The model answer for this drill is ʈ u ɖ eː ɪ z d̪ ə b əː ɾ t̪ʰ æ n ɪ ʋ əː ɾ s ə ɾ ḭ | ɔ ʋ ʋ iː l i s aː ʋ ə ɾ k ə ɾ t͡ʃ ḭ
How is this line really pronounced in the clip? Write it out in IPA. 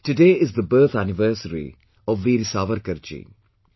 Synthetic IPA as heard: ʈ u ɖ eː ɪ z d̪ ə b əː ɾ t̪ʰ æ n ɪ ʋ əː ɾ s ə ɾ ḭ | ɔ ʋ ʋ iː ɾ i s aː ʋ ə ɾ k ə ɾ t͡ʃ ḭ